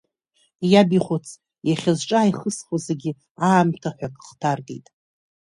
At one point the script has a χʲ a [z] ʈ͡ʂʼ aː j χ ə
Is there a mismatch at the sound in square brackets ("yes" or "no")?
no